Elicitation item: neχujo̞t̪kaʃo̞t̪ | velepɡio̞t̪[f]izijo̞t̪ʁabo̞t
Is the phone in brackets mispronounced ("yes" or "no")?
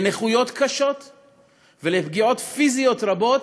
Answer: no